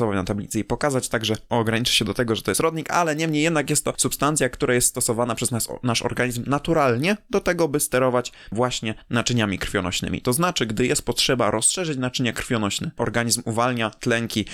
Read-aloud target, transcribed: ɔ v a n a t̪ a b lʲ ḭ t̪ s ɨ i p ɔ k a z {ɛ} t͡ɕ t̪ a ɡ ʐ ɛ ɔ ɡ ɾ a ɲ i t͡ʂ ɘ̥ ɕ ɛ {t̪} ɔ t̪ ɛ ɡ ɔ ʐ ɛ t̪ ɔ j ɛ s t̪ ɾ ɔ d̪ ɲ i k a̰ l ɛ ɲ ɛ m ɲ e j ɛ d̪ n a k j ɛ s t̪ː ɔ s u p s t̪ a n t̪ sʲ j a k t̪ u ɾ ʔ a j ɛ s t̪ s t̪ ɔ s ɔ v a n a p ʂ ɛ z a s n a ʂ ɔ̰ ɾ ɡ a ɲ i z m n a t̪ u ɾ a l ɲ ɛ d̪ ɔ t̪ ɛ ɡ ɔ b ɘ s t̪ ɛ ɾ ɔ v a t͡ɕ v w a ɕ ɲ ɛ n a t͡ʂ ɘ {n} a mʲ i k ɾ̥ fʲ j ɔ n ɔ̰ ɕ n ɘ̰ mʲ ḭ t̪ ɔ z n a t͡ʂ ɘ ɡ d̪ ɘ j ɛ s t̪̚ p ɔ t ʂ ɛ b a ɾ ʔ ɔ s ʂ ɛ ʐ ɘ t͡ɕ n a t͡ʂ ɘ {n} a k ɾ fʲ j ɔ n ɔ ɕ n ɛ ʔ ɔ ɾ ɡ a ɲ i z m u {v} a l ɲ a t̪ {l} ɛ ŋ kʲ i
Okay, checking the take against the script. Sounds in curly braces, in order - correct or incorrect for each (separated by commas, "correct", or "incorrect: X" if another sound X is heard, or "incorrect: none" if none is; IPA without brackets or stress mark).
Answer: incorrect: a, incorrect: d̪, incorrect: ɲ, incorrect: ɲ, correct, correct